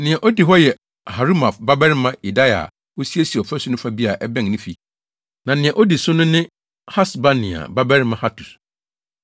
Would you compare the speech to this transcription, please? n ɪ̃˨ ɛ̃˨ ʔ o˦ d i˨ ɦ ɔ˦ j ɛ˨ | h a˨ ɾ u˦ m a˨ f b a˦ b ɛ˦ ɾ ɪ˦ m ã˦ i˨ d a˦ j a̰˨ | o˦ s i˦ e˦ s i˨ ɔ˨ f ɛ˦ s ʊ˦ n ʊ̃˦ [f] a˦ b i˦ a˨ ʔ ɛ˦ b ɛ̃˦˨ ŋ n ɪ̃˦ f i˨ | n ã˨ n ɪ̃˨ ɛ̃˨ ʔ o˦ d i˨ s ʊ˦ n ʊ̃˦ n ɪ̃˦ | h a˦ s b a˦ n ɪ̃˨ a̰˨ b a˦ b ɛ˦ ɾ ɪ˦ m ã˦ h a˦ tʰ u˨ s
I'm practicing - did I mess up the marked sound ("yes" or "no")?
no